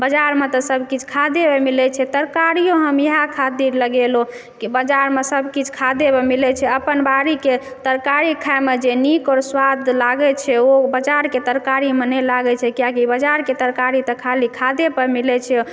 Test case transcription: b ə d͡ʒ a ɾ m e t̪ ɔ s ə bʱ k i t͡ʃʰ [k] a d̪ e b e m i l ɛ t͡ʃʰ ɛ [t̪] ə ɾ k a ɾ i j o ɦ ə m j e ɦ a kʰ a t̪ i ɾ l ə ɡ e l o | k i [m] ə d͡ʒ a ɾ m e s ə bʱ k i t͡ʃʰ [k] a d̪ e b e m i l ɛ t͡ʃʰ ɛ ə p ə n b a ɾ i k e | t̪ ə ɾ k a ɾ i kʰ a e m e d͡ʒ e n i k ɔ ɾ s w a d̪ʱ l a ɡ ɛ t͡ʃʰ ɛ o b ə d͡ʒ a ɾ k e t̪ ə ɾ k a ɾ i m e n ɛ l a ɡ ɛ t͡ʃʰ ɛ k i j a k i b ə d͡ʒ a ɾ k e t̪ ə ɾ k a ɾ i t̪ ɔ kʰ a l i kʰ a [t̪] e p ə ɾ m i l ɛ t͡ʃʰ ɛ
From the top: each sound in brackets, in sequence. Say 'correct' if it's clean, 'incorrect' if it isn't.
incorrect: kʰ, correct, incorrect: b, incorrect: kʰ, incorrect: d̪

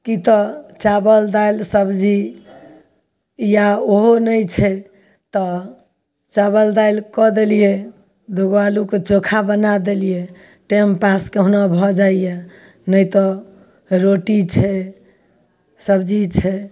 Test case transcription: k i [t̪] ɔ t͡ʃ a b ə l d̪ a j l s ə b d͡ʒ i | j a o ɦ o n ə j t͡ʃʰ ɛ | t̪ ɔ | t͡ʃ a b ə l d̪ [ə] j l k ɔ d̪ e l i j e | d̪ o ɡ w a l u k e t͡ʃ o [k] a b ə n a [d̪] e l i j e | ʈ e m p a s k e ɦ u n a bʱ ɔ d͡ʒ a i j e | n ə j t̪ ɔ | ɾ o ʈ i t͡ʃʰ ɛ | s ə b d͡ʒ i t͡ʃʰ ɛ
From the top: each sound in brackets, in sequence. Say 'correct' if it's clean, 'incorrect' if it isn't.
correct, incorrect: a, incorrect: kʰ, correct

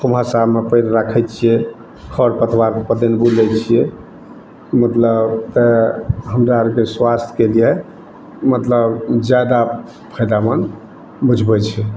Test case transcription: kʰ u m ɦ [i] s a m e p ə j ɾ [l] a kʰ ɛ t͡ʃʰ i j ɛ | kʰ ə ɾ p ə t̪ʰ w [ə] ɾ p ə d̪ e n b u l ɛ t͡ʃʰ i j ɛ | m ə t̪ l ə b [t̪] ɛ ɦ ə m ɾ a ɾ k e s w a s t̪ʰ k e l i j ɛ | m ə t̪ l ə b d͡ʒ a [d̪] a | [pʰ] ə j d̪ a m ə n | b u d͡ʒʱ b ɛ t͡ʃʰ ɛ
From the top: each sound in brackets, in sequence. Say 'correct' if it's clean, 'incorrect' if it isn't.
incorrect: a, incorrect: ɾ, incorrect: a, correct, correct, correct

